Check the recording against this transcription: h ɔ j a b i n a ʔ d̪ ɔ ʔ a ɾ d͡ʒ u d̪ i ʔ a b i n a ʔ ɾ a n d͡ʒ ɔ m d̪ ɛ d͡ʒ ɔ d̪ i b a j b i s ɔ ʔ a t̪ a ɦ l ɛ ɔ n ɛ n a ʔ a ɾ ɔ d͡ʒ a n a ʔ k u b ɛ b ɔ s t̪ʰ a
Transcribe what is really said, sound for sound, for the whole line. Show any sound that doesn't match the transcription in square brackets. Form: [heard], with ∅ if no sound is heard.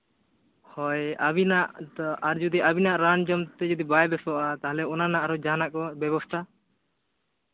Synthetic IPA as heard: h ɔ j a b i n a ʔ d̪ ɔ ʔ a ɾ d͡ʒ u d̪ i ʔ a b i n a ʔ ɾ a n d͡ʒ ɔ m [t̪] ɛ d͡ʒ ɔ d̪ i b a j b [ɛ] s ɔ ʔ a t̪ a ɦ l ɛ ɔ n [a] n a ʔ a ɾ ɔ d͡ʒ a n a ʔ k [ɔ] b ɛ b ɔ s t̪ʰ a